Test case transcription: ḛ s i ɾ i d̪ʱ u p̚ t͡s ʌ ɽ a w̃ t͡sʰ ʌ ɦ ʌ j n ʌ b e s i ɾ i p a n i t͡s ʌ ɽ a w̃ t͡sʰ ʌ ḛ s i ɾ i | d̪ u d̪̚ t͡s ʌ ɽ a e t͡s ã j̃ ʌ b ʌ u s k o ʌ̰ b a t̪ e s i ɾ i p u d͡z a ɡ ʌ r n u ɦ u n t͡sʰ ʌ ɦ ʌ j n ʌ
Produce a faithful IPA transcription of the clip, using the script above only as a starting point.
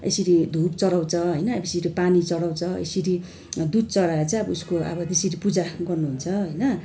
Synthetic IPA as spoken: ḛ s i ɾ i d̪ʱ u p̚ t͡s ʌ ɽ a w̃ t͡sʰ ʌ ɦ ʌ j n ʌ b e s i ɾ i p a n i t͡s ʌ ɽ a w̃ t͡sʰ ʌ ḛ s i ɾ i | d̪ u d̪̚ t͡s ʌ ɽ a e t͡s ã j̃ ʌ b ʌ u s k o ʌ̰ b ʌ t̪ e s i ɾ i p u d͡z a ɡ ʌ r n u ɦ u n t͡sʰ ʌ ɦ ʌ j n ʌ